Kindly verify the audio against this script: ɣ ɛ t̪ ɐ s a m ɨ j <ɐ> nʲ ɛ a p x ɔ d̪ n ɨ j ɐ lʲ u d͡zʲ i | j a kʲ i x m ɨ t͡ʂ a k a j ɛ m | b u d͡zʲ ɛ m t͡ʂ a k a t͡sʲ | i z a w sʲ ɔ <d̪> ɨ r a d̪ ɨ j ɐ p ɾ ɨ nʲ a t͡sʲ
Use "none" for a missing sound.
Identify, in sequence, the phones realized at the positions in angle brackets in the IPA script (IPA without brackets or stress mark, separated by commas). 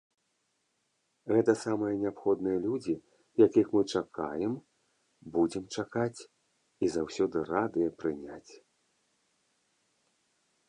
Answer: ɐ, d̪